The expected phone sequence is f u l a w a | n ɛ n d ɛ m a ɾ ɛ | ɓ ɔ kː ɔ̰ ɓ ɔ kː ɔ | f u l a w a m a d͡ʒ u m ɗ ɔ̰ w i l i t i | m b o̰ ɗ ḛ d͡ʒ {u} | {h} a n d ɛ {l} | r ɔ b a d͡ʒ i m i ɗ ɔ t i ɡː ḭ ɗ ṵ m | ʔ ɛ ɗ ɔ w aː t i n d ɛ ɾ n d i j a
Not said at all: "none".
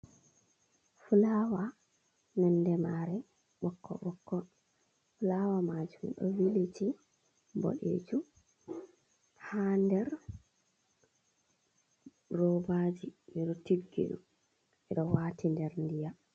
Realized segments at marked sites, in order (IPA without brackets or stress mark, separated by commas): u, h, ɾ